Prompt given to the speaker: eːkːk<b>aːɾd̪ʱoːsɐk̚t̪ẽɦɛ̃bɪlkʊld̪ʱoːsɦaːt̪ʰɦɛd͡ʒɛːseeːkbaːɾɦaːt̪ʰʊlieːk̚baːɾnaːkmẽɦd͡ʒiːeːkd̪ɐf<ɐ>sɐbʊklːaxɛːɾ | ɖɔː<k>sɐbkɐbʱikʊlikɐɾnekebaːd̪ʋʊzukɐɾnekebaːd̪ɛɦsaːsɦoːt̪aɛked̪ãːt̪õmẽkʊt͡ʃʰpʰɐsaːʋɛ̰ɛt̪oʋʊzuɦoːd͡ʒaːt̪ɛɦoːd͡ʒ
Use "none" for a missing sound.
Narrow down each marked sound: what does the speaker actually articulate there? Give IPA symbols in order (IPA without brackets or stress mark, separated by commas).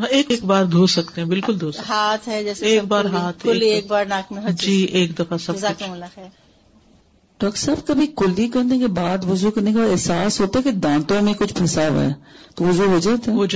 b, a, k